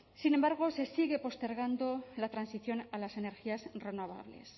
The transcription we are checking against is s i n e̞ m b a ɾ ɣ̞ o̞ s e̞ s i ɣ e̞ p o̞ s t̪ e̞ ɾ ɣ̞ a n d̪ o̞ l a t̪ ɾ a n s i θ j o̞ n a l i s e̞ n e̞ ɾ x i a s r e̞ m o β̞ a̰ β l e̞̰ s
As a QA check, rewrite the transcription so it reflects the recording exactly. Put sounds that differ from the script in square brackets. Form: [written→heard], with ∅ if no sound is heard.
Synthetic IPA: s i n e̞ m b a ɾ ɣ̞ o̞ s e̞ s i ɣ e̞ p o̞ s t̪ e̞ ɾ ɣ̞ a n d̪ o̞ l a t̪ ɾ a n s i θ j o̞ n a l [i→a] s e̞ n e̞ ɾ x i a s r e̞ [m→n] o β̞ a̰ β l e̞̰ s